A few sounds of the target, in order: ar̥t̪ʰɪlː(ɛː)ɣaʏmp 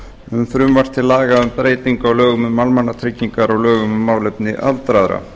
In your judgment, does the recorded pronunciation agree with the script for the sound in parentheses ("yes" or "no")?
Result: no